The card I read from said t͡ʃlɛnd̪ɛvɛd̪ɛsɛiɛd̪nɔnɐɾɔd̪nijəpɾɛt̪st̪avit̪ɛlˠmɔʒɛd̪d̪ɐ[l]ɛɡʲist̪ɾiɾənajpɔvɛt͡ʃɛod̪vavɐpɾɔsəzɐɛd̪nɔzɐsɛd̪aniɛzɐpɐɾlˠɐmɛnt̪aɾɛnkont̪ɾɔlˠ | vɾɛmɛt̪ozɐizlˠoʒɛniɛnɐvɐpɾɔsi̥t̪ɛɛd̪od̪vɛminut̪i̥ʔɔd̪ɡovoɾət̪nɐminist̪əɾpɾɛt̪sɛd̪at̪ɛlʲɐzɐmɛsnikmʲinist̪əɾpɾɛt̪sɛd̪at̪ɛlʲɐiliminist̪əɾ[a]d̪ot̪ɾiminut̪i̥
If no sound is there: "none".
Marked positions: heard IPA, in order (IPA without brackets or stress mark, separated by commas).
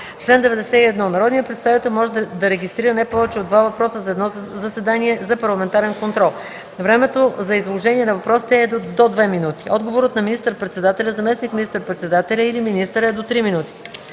ɾ, ɛ